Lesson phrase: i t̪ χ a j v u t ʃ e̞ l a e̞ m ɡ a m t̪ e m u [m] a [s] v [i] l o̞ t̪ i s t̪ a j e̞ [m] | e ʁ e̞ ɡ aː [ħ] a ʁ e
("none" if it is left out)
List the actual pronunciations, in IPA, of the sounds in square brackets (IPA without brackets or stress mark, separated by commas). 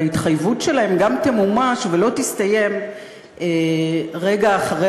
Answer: m, ʃ, e, m, χ